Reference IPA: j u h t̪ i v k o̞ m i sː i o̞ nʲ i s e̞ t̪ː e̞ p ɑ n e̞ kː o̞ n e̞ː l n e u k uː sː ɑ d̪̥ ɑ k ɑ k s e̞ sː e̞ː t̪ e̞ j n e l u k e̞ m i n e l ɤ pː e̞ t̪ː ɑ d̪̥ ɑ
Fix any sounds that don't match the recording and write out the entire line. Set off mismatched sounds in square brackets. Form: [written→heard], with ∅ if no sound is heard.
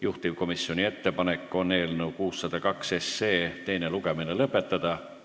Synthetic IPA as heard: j u h t̪ i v k o̞ m i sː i o̞ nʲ i [s→∅] e̞ t̪ː e̞ p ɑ n e̞ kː o̞ n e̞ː l n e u k uː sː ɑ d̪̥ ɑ k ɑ k s e̞ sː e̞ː t̪ e̞ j n e l u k e̞ m i n e l ɤ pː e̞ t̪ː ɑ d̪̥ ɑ